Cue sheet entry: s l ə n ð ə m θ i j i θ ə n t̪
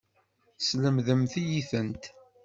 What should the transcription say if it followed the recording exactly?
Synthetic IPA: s l ə m ð ə m θ i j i θ ə n t̪